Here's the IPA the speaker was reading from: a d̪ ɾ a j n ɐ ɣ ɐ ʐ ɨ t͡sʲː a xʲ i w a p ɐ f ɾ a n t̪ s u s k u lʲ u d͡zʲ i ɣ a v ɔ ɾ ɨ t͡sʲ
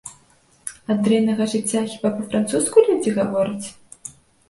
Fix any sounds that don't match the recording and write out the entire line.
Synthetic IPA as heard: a d̪ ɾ ɛ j n ɐ ɣ ɐ ʐ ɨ t͡sʲː a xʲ i b a p ɐ f ɾ a n t̪ s u s k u lʲ u d͡zʲ i ɣ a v ɔ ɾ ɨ t͡sʲ